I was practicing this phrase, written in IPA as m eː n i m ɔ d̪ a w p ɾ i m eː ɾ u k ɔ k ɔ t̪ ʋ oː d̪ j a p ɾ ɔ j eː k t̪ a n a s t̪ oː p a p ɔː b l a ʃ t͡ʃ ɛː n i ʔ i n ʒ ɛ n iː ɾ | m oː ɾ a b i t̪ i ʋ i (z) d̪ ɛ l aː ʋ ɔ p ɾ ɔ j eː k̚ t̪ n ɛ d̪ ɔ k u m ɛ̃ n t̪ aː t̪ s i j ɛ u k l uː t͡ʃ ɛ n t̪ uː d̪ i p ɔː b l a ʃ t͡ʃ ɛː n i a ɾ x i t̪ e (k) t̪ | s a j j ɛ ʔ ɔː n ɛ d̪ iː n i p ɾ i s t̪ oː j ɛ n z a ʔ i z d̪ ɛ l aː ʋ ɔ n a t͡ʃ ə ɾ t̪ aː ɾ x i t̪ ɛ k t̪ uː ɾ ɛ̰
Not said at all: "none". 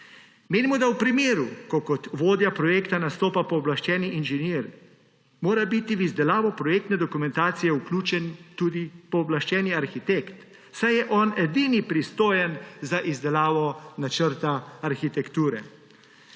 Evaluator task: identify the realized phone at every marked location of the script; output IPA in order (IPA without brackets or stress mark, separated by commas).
z, k